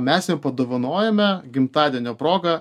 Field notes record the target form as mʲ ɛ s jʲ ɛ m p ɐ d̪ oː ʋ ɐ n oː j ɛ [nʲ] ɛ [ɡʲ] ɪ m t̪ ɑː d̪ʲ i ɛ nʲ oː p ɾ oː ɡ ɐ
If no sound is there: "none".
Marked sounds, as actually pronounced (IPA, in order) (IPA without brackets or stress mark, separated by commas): mʲ, ɡʲ